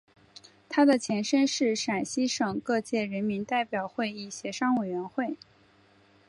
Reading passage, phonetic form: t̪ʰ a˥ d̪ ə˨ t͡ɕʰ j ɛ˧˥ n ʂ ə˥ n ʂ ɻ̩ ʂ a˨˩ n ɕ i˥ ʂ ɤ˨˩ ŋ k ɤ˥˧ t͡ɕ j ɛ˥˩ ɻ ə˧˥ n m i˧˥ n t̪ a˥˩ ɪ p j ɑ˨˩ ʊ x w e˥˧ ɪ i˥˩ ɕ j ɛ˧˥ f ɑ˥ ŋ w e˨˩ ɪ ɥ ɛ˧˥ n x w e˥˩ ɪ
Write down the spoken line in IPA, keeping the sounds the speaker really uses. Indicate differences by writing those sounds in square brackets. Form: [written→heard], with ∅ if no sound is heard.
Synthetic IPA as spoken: t̪ʰ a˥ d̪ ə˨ t͡ɕʰ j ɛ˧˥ n ʂ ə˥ n ʂ ɻ̩ ʂ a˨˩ n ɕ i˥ ʂ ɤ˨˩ ŋ k ɤ˥˧ t͡ɕ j ɛ˥˩ ɻ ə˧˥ n m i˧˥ n t̪ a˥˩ ɪ p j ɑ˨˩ ʊ x w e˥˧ ɪ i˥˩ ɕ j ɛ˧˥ [f→ʂ] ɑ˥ ŋ w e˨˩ ɪ ɥ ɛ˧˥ n x w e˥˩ ɪ